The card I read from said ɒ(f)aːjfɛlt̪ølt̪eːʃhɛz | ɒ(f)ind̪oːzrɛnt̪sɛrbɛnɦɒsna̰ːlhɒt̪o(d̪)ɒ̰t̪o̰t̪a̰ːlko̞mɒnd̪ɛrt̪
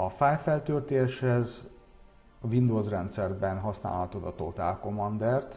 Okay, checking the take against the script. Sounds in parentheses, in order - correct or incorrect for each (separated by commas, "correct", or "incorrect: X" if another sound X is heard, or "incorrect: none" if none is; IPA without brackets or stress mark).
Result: correct, incorrect: v, correct